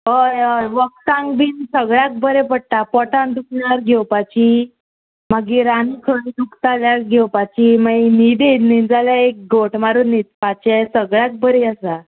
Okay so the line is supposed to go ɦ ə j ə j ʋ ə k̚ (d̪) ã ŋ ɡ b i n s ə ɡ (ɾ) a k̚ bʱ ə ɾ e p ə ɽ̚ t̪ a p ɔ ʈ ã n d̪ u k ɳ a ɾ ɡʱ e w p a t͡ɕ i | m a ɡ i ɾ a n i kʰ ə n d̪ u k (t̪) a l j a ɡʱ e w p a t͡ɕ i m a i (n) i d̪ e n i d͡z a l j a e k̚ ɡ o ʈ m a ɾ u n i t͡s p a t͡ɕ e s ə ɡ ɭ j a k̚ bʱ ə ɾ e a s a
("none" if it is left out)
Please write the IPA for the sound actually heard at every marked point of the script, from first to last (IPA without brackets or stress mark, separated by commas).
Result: t̪, ɭ, t̪, n